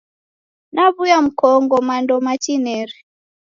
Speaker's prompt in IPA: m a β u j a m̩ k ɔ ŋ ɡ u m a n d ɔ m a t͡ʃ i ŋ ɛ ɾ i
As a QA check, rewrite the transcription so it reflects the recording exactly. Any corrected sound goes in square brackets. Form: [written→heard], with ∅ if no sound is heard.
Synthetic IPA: [m→n] a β u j a m̩ k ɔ ŋ ɡ [u→ɔ] m a n d ɔ m a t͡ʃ i [ŋ→n] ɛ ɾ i

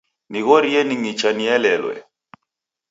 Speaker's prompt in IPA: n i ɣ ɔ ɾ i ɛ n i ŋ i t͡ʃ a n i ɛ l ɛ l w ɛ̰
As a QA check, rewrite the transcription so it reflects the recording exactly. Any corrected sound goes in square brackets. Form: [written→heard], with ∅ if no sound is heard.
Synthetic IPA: n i ɣ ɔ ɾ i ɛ n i ŋ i t͡ʃ a n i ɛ l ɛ l w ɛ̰

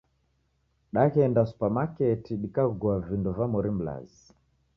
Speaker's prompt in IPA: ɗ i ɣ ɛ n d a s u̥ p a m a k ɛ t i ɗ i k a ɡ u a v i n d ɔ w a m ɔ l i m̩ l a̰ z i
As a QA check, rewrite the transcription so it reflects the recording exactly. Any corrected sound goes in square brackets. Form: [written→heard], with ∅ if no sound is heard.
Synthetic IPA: ɗ [i→a] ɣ ɛ n d a s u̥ p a m a k ɛ t i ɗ i k a ɡ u a v i n d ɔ [w→v] a m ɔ [l→ɾ] i m̩ l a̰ z i

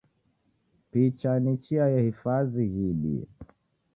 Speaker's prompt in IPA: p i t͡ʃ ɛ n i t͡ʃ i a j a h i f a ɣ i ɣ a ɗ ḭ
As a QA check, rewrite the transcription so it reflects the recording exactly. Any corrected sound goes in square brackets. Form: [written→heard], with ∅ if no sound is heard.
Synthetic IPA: p i t͡ʃ [ɛ→a] n i t͡ʃ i a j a h i f a [ɣ→z] i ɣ [a→i] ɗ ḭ

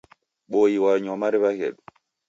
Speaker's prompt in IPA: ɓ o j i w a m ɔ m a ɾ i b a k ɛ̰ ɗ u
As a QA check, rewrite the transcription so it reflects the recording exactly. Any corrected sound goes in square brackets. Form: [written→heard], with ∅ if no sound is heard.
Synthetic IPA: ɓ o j i w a [m→ɲ] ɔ m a ɾ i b a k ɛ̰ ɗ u

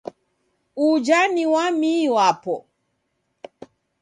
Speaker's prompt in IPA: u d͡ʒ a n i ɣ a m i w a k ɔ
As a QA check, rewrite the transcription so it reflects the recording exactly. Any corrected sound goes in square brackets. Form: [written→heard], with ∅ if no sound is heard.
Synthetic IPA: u d͡ʒ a n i [ɣ→w] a m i w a [k→p] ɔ

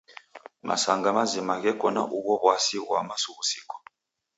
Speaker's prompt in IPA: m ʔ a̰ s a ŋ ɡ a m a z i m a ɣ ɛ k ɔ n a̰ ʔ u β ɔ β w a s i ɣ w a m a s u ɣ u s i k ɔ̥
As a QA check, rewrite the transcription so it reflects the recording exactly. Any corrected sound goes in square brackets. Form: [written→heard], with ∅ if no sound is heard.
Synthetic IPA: m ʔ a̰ s a ŋ ɡ a m a z i m a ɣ ɛ k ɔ n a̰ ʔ u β ɔ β w a s i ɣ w a m a s u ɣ u s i k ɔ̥

